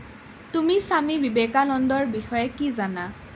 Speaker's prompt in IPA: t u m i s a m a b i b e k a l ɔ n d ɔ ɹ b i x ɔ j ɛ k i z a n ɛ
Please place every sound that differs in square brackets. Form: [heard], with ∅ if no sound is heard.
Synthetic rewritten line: t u m i s a m [i] b i b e k a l ɔ n d ɔ ɹ b i x ɔ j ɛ k i z a n [a]